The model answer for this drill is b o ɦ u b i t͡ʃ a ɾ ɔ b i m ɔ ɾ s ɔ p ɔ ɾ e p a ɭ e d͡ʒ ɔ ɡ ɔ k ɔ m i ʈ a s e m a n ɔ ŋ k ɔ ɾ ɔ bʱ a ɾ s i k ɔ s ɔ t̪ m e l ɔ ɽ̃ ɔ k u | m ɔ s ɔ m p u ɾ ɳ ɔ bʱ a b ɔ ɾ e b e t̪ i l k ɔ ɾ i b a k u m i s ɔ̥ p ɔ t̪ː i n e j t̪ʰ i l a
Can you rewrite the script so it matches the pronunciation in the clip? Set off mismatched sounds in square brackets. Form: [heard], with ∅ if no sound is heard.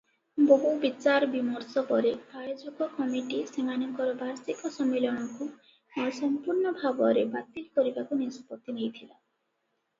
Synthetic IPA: b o ɦ u b i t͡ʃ a ɾ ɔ b i m ɔ ɾ s ɔ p ɔ ɾ e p a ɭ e d͡ʒ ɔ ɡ ɔ k ɔ m i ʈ [i] s e m a n ɔ ŋ k ɔ ɾ ɔ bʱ a ɾ s i k ɔ s ɔ [∅] m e l ɔ ɽ̃ ɔ k u | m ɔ s ɔ m p u ɾ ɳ ɔ bʱ a b ɔ ɾ e b [a] t̪ i l k ɔ ɾ i b a k u [n] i s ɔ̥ p ɔ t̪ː i n e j t̪ʰ i l a